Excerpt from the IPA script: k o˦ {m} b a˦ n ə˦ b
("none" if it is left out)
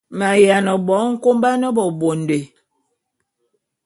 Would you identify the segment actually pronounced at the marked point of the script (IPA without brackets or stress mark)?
m